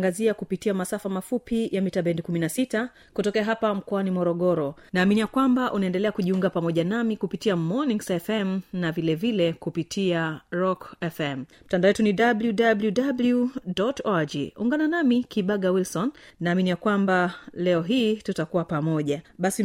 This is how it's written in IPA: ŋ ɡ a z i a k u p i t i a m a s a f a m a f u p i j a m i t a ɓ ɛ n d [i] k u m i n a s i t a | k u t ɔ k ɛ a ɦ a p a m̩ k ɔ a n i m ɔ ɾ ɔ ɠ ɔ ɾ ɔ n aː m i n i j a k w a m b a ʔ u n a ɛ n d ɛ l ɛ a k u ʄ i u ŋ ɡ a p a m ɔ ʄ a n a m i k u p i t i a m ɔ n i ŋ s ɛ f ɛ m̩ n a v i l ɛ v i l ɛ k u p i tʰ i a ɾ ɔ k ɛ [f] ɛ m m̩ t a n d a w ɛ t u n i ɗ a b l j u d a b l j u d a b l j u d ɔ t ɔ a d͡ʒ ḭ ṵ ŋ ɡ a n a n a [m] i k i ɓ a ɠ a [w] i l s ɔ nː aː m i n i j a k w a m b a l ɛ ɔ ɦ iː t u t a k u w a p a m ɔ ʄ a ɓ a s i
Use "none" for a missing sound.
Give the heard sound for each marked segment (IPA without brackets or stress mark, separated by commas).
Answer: i, f, m, w